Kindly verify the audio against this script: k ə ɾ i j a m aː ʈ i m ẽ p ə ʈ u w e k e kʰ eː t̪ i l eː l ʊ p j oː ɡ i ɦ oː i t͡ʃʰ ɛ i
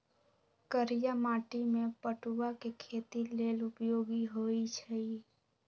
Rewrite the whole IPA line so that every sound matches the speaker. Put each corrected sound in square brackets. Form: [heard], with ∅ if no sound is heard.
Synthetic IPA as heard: k ə ɾ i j a m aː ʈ i m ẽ p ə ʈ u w [a] k e kʰ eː t̪ i l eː l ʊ p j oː ɡ i ɦ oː i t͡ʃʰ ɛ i